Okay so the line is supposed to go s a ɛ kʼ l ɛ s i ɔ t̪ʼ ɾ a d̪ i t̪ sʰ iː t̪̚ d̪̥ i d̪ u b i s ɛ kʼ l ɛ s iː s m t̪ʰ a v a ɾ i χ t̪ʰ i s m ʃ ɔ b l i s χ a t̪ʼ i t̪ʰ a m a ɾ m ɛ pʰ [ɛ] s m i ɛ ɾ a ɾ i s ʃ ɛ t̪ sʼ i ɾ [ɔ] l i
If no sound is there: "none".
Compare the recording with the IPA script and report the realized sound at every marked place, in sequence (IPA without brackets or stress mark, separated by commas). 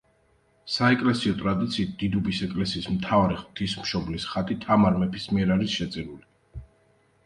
i, u